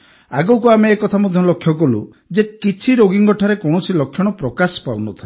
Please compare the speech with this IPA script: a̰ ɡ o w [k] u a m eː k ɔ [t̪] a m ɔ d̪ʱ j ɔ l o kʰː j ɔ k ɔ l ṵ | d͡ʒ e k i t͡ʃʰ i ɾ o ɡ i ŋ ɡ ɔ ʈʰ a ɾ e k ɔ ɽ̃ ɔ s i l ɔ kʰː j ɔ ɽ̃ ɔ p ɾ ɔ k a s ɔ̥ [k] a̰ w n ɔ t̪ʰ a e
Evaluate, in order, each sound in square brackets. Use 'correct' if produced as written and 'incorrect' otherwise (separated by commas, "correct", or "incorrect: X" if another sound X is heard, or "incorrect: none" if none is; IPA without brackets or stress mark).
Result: correct, incorrect: t̪ʰ, incorrect: p